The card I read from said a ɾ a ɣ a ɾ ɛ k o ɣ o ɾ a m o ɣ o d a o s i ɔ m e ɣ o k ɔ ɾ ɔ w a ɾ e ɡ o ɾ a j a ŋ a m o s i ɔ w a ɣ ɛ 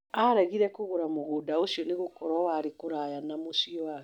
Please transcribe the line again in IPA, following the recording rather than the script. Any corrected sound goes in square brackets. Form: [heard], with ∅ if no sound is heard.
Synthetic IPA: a ɾ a ɣ [i] ɾ ɛ k o ɣ o ɾ a m o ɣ o d a o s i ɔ [n] e ɣ o k ɔ ɾ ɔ w a ɾ e [k] o ɾ a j a [n] a m o s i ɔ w a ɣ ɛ